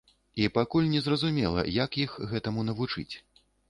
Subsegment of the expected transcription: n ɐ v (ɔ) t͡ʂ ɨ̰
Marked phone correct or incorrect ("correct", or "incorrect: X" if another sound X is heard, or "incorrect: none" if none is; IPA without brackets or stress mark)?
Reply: incorrect: u